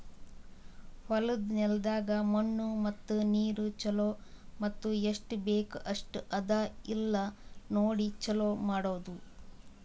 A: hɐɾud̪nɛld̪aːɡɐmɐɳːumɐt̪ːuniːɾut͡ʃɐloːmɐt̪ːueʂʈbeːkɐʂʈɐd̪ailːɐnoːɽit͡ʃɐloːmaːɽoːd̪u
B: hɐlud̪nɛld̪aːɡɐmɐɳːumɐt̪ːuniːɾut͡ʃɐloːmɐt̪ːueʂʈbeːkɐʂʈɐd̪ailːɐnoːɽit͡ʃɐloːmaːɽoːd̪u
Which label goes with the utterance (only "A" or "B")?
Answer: B